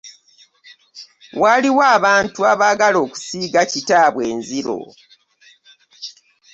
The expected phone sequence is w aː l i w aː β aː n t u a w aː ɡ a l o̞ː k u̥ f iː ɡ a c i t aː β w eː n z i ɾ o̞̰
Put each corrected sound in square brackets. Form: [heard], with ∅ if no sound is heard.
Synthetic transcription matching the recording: w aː l i w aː β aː n t u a [β] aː ɡ a l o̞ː k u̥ [s] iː ɡ a c i t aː β w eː n z i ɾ o̞̰